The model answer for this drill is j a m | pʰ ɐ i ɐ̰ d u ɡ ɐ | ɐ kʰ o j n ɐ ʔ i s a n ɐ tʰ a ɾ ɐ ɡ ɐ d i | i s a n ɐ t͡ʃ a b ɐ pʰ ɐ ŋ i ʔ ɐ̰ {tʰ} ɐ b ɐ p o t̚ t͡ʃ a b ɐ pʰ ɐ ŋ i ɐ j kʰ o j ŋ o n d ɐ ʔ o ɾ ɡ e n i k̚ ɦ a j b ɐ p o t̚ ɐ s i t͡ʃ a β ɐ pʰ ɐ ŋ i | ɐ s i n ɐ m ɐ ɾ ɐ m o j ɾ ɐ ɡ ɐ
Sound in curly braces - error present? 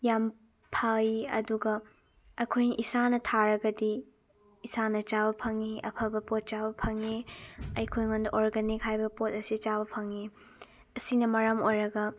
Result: yes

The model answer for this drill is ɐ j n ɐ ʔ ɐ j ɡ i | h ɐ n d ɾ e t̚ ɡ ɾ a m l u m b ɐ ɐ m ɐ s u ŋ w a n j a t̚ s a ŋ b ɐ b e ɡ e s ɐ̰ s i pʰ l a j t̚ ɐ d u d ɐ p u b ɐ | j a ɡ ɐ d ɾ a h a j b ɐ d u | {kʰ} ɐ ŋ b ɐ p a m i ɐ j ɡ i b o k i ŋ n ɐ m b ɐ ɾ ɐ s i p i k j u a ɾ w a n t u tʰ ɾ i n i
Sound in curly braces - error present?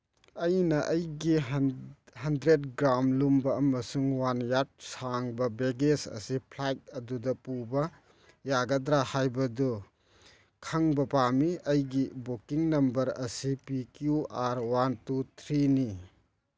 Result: no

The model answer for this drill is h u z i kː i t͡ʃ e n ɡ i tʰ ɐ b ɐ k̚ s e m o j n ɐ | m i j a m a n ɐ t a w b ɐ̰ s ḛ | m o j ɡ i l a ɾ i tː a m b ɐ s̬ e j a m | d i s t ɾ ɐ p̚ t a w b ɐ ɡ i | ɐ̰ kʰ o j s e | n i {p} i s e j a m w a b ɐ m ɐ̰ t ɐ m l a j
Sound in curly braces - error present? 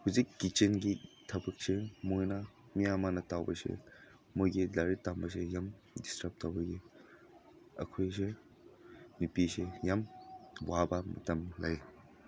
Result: no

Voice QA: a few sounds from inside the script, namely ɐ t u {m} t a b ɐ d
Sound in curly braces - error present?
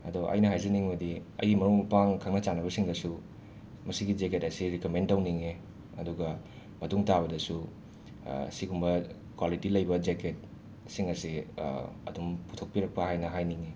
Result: yes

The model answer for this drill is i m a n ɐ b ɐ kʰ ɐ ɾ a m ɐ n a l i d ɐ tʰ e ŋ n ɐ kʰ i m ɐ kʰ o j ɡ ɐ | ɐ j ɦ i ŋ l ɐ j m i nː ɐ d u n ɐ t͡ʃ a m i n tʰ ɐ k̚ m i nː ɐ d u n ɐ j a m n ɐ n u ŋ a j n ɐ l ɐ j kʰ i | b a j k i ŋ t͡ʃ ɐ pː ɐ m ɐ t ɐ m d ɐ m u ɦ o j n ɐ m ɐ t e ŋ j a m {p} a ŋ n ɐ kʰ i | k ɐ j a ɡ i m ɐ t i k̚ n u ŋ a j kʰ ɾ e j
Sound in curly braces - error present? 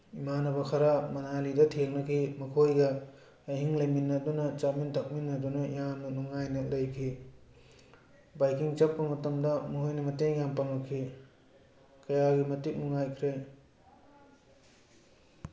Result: no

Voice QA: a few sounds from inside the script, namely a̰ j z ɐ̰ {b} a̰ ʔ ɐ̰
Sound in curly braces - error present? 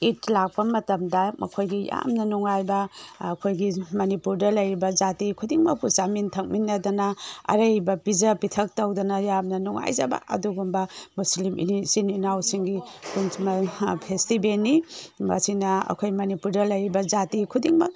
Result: no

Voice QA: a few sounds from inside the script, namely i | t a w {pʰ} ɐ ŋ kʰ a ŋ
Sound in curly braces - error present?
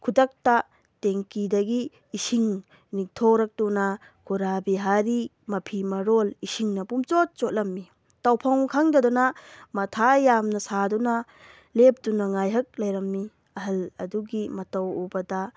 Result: no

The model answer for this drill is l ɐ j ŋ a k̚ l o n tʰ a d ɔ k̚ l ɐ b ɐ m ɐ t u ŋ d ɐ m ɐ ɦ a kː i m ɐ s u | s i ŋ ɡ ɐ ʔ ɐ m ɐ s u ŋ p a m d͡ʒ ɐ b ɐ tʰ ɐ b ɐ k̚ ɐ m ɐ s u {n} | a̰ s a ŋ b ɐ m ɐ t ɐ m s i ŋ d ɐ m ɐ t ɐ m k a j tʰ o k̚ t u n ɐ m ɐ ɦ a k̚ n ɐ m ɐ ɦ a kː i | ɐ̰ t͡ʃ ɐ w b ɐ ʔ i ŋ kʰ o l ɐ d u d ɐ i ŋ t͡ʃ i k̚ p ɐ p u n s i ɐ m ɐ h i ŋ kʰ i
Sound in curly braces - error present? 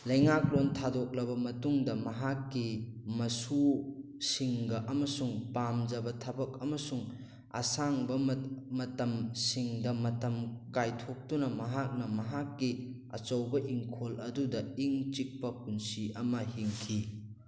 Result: yes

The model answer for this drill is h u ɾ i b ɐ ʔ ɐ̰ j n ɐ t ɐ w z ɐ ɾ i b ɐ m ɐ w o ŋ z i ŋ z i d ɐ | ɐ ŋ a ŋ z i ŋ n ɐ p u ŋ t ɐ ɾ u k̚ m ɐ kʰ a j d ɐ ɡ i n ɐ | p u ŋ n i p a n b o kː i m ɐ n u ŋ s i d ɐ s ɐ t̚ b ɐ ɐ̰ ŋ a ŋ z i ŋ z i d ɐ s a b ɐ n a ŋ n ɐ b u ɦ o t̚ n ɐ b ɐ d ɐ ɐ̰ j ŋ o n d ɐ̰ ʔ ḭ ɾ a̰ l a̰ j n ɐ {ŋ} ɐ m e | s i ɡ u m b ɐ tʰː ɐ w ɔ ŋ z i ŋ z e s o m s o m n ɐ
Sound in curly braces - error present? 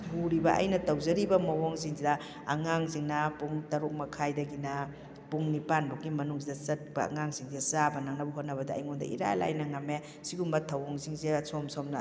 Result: no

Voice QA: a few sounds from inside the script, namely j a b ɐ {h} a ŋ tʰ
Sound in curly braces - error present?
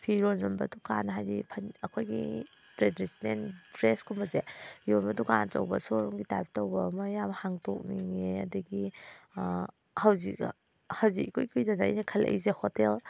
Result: no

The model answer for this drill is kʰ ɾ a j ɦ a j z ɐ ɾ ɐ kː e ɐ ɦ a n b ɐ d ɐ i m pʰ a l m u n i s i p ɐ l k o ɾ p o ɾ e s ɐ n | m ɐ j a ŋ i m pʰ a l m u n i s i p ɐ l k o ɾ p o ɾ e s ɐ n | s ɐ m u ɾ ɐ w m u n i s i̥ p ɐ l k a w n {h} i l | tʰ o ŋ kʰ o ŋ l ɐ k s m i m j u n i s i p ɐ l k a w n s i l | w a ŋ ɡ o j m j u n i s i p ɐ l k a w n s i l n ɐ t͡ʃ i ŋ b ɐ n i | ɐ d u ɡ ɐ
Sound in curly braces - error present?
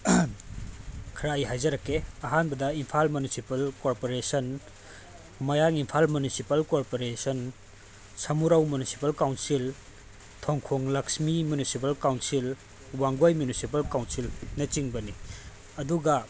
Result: yes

